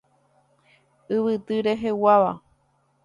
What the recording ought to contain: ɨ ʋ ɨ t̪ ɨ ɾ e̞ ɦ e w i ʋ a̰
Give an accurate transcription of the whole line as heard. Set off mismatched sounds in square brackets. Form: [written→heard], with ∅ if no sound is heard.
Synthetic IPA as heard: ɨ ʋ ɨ t̪ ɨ ɾ e̞ ɦ e w [i→a] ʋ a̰

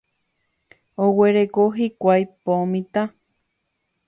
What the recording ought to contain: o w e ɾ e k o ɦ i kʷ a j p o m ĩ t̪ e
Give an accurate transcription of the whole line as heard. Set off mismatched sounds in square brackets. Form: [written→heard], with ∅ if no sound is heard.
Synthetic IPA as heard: o w e ɾ e k o ɦ i kʷ a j p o m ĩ t̪ [e→a]

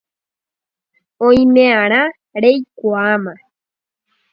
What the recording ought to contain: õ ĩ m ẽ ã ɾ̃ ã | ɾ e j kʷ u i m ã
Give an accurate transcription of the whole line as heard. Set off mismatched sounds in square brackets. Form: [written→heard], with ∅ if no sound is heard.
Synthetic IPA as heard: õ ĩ m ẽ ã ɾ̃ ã | ɾ e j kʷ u [i→a] m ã

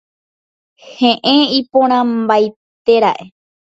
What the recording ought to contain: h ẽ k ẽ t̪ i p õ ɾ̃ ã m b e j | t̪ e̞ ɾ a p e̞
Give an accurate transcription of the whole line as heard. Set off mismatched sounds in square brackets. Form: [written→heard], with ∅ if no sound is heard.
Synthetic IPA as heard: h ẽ [k→ʔ] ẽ [t̪→∅] i p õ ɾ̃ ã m b [e→a] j | t̪ e̞ ɾ a [p→ʔ] e̞

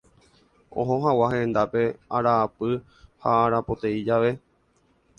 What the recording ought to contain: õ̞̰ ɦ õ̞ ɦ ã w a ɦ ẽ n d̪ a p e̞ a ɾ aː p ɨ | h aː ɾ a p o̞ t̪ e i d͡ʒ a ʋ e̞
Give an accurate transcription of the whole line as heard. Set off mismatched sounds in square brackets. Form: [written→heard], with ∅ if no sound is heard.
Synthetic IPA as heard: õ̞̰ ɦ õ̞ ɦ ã w a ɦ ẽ n d̪ a p e̞ a ɾ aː p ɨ | h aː ɾ a p o̞ t̪ e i d͡ʒ a ʋ e̞

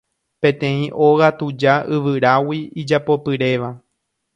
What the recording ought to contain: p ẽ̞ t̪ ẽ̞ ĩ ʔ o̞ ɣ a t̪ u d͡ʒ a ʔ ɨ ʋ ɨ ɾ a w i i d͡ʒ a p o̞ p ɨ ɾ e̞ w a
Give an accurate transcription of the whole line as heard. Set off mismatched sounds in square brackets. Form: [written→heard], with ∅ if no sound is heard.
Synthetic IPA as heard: p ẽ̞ t̪ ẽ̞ ĩ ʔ o̞ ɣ a t̪ u d͡ʒ a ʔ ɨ ʋ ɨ ɾ a w i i d͡ʒ a p o̞ p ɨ ɾ e̞ [w→ʋ] a

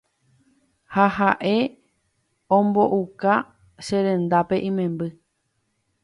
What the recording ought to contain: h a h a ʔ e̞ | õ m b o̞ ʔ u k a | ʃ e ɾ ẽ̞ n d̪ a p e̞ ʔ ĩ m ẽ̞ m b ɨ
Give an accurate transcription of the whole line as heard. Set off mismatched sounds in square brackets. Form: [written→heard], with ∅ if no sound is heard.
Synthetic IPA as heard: h a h a ʔ e̞ | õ m b o̞ ʔ u k a | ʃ e ɾ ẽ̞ n d̪ a p e̞ ʔ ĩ m ẽ̞ m b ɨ

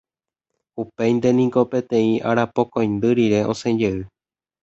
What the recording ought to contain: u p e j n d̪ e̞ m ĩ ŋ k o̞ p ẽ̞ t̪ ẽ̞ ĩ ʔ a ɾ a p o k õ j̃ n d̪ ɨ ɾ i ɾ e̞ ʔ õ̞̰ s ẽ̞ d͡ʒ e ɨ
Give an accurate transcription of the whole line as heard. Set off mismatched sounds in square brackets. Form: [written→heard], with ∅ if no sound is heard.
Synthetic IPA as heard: u p e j n d̪ e̞ [m→n] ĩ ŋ k o̞ p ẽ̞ t̪ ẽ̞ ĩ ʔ a ɾ a p o k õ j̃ n d̪ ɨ ɾ i ɾ e̞ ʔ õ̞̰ s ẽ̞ d͡ʒ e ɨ

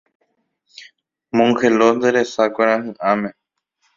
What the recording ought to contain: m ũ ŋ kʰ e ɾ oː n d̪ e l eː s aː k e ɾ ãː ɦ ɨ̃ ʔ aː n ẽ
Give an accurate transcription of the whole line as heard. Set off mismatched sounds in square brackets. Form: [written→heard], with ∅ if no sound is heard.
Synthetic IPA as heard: m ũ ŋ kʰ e [ɾ→l] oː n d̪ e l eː s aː k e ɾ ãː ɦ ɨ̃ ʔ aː [n→m] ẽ

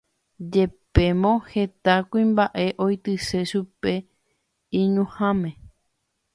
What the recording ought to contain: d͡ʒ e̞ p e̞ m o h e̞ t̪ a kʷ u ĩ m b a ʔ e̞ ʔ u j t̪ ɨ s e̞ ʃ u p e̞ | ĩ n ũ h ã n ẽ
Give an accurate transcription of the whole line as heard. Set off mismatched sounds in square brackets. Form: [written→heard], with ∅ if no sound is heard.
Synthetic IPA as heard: d͡ʒ e̞ p e̞ m [o→õ] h e̞ t̪ a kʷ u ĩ m b a ʔ e̞ ʔ [u→o] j t̪ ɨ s e̞ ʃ u p e̞ | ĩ [n→ɲ] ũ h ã [n→m] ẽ

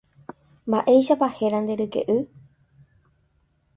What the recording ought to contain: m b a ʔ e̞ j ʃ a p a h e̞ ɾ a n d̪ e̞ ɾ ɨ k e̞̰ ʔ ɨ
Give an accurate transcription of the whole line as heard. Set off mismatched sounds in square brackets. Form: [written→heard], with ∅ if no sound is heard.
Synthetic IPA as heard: m b a ʔ e̞ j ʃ a p a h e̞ ɾ a n d̪ e̞ ɾ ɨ k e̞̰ ʔ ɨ

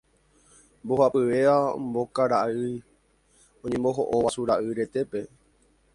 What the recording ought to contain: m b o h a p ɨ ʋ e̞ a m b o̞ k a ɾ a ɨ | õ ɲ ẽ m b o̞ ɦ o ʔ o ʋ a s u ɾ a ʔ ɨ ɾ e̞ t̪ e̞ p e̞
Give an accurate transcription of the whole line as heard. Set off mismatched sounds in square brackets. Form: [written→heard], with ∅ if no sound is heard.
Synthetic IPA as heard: m b o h a p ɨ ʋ e̞ a m b o̞ k a ɾ a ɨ | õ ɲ ẽ m b o̞ ɦ o ʔ o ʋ a s u ɾ a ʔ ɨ ɾ e̞ t̪ e̞ p e̞

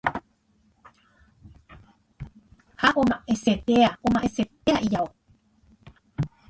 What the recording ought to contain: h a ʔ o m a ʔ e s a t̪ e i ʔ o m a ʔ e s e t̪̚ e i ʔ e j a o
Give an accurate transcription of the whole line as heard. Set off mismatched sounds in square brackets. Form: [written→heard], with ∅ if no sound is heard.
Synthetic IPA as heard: h a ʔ o m a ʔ e s [a→e] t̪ e [i→a] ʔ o m a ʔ e s e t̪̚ e [i→a] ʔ [e→i] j a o

